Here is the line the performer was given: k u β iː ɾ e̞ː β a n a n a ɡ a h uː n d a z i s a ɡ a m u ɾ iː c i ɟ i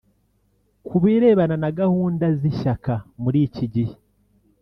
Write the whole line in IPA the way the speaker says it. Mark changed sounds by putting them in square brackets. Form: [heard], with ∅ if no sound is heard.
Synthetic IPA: k u β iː ɾ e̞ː β a n a n a ɡ a h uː n d a z i [ʃ] a [k] a m u ɾ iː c i ɟ i